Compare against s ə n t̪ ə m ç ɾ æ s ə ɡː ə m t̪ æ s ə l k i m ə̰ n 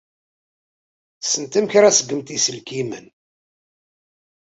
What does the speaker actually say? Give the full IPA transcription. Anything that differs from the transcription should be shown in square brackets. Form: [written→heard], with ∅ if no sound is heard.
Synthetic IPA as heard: s ə n t̪ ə m ç ɾ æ s ə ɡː ə m t̪ [æ→i] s ə l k i m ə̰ n